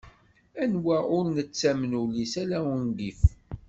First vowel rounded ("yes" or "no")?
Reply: no